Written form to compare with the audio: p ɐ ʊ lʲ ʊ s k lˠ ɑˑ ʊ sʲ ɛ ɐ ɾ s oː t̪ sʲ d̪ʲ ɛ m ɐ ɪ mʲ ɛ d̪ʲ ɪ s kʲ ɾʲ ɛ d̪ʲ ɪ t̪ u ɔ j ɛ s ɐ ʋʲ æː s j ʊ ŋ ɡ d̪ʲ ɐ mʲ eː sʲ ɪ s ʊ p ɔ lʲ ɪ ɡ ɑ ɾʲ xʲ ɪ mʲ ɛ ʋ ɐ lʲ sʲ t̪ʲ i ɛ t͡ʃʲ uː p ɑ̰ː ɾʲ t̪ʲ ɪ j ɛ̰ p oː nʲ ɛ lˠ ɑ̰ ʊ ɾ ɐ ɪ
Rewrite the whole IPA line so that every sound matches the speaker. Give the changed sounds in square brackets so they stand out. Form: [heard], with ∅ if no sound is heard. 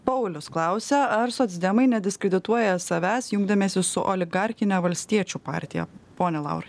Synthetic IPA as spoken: p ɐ ʊ lʲ ʊ s k lˠ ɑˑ ʊ sʲ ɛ ɐ ɾ s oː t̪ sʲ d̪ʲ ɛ m ɐ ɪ [nʲ] ɛ d̪ʲ ɪ s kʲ ɾʲ ɛ d̪ʲ ɪ t̪ u ɔ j ɛ s ɐ ʋʲ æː s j ʊ ŋ ɡ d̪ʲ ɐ mʲ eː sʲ ɪ s ʊ [ʔ] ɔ lʲ ɪ ɡ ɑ ɾʲ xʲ ɪ [nʲ] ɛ ʋ ɐ lʲ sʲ t̪ʲ i ɛ t͡ʃʲ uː p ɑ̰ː ɾʲ t̪ʲ ɪ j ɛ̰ p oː nʲ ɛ lˠ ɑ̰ ʊ ɾ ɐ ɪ